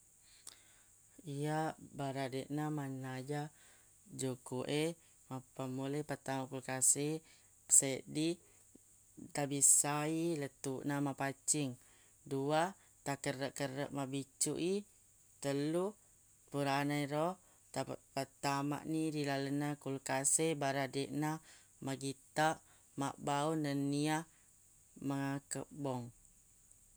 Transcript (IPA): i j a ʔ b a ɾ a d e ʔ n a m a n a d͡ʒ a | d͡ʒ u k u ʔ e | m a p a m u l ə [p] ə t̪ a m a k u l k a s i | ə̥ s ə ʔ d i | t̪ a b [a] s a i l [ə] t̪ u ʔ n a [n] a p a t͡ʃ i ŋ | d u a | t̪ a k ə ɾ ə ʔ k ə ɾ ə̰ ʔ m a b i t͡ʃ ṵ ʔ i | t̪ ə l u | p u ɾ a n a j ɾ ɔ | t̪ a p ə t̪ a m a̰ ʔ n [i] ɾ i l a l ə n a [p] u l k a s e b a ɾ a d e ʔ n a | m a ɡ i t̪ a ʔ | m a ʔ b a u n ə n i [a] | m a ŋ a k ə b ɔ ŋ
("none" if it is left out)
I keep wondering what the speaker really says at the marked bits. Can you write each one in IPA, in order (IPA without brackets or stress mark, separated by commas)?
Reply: p, i, ə, m, i, k, a